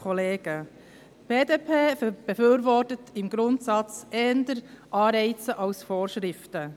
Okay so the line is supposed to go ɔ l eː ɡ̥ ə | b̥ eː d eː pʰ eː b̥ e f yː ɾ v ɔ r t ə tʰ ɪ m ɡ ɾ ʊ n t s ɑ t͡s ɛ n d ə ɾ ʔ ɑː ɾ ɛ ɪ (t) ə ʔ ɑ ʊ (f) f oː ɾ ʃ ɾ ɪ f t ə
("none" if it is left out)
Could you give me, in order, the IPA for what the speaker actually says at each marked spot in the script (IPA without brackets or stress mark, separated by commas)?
t͡s, s